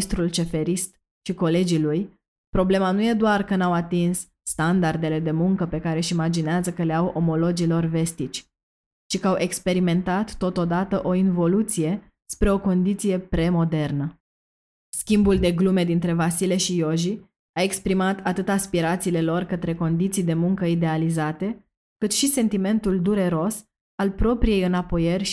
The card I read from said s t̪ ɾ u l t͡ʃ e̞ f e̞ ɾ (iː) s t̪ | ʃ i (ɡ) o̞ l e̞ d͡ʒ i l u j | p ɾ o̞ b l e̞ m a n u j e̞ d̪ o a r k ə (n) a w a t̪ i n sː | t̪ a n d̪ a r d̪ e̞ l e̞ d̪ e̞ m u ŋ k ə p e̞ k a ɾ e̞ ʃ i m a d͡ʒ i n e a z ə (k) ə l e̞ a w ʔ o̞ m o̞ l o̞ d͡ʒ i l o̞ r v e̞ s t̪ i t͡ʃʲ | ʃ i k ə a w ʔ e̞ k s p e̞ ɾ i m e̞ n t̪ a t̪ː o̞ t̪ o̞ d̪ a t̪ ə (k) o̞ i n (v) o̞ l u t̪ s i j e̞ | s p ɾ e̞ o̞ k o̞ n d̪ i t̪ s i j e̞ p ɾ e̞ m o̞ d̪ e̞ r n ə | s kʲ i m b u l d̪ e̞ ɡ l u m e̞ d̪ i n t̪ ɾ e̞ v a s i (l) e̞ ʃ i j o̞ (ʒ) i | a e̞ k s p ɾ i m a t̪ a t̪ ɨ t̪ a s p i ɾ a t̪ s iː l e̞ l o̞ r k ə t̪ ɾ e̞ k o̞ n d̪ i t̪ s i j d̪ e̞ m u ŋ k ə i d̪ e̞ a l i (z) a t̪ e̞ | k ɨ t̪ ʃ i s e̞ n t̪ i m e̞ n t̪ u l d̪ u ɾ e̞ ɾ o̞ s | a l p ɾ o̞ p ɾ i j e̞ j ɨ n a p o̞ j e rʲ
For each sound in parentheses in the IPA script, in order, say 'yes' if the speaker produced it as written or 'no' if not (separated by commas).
no, no, yes, yes, no, yes, yes, yes, yes